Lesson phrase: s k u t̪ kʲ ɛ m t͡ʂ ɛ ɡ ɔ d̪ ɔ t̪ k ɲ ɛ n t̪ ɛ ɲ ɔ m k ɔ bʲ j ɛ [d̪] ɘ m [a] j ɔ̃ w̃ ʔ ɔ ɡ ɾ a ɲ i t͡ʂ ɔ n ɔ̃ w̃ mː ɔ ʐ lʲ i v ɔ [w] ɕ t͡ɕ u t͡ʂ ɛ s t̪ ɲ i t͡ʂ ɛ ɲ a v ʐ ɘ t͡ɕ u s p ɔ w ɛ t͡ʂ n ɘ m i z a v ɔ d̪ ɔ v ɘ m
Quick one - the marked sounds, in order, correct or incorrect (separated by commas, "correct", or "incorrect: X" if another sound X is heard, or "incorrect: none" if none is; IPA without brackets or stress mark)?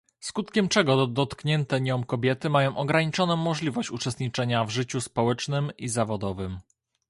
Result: incorrect: t̪, correct, incorrect: none